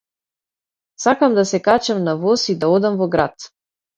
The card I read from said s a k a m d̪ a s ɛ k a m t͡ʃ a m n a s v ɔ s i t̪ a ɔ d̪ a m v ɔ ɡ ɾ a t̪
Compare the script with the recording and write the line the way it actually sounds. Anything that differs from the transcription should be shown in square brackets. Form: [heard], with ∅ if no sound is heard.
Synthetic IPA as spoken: s a k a m d̪ a s ɛ k a [∅] t͡ʃ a m n a [∅] v ɔ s i [d̪] a ɔ d̪ a m v ɔ ɡ ɾ a t̪